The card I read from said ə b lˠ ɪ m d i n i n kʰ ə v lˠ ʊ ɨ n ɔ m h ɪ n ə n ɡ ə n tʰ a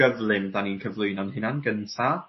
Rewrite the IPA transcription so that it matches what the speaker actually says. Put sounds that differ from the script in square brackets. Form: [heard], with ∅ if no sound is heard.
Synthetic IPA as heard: ə [v] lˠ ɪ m d [a] n i n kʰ ə v lˠ ʊ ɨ n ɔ [n] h ɪ n [a] n ɡ ə n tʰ a